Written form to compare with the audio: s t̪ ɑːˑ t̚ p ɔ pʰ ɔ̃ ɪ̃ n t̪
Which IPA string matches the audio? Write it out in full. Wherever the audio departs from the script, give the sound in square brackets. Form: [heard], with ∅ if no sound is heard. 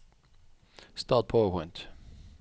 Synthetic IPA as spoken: s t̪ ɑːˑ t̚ [pʰ] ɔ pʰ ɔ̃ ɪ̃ n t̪